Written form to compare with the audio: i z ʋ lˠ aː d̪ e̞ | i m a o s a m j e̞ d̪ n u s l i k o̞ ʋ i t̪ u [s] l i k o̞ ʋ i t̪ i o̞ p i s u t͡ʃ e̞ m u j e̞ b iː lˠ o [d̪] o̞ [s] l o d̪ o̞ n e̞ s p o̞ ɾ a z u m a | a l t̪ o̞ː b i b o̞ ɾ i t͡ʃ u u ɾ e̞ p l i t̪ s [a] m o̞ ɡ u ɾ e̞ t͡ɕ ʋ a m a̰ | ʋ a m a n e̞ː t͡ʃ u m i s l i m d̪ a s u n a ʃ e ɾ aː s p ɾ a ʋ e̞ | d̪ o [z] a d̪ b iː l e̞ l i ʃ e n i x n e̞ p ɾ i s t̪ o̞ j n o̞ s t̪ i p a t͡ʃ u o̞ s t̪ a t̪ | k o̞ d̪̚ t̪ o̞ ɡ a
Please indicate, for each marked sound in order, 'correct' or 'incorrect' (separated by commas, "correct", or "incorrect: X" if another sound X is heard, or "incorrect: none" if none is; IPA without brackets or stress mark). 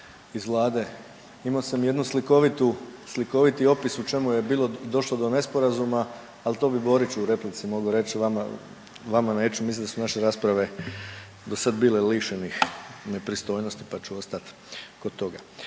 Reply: correct, correct, incorrect: ʃ, incorrect: i, incorrect: s